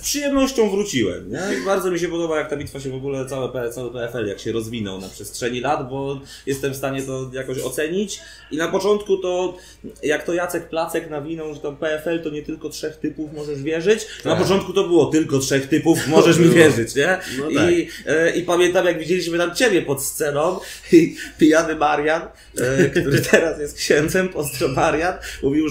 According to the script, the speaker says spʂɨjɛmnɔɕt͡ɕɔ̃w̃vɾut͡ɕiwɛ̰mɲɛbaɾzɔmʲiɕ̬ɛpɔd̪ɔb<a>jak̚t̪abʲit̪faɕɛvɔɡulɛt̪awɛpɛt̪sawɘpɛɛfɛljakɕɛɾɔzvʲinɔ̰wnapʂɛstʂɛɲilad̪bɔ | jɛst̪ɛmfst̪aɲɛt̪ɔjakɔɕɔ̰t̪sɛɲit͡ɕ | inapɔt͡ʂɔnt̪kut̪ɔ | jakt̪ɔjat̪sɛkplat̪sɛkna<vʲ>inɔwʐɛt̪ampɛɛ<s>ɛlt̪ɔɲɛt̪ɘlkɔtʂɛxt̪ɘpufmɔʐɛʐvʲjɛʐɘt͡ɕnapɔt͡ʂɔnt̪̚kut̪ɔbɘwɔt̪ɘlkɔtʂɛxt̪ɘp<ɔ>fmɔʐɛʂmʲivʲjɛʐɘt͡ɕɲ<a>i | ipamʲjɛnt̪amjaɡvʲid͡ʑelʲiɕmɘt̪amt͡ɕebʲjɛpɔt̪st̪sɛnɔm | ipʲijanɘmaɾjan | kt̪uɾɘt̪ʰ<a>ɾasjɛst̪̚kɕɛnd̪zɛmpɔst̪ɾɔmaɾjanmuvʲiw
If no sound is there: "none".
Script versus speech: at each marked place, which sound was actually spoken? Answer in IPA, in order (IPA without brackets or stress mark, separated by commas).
a, vʲ, f, u, ɛ, ɛ